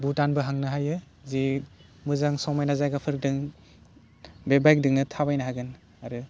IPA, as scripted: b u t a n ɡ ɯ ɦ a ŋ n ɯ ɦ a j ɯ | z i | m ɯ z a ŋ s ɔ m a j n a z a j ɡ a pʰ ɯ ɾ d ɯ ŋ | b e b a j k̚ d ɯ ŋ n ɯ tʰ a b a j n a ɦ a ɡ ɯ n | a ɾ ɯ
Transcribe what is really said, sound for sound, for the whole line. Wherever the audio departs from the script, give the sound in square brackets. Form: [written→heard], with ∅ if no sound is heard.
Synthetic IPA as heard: b u t a n [ɡ→b] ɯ ɦ a ŋ n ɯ ɦ a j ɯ | z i | m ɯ z a ŋ s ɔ m a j n a z a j ɡ a pʰ ɯ ɾ d ɯ ŋ | b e b a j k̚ d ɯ ŋ n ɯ tʰ a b a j n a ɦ a ɡ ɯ n | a ɾ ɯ